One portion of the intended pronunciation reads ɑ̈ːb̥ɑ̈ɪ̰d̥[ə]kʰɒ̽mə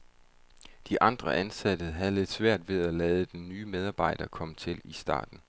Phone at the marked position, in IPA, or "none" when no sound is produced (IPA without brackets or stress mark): ɐ